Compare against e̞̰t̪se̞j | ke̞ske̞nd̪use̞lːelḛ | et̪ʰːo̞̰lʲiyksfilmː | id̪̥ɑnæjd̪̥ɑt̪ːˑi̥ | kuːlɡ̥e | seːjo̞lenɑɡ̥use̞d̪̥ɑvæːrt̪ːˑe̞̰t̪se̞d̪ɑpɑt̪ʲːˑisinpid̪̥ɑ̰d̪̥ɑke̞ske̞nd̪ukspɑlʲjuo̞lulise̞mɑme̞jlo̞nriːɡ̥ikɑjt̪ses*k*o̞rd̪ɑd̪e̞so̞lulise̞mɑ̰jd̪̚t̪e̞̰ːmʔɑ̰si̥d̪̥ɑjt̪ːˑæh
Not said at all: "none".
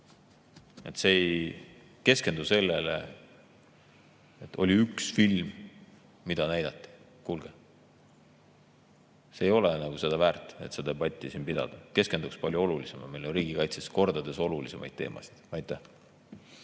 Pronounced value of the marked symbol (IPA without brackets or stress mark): k